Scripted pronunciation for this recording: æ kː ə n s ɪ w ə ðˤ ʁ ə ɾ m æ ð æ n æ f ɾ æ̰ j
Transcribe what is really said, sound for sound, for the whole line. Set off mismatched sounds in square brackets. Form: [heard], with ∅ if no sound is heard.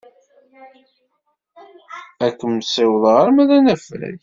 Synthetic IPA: æ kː ə [m] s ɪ w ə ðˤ ʁ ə ɾ m æ ð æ n æ f ɾ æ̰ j